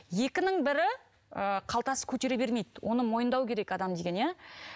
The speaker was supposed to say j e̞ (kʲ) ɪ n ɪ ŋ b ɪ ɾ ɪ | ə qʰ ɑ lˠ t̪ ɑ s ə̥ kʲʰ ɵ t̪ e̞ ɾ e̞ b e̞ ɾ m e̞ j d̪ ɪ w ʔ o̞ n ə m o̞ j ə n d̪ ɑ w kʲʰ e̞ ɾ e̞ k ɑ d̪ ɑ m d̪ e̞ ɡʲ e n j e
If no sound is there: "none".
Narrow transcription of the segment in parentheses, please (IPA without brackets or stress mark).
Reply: kʲ